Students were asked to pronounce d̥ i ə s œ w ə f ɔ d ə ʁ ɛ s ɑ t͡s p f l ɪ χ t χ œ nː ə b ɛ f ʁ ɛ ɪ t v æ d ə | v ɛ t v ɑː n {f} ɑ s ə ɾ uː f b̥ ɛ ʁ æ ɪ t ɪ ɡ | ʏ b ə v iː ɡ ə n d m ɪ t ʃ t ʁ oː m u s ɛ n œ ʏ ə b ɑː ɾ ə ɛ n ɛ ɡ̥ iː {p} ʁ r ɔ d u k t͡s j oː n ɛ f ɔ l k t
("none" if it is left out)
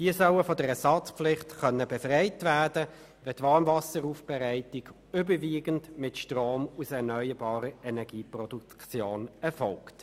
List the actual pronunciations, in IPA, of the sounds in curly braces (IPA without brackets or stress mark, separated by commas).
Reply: v, p